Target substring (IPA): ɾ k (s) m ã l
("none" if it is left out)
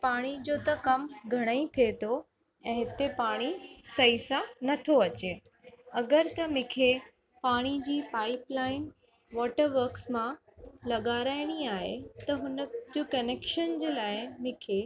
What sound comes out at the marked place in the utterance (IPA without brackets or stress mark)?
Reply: s